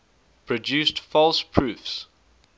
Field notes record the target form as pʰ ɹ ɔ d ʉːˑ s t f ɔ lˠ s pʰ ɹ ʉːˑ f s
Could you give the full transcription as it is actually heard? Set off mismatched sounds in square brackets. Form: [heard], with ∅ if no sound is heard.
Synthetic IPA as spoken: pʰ ɹ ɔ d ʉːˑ s t f ɔ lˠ s pʰ ɹ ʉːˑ f s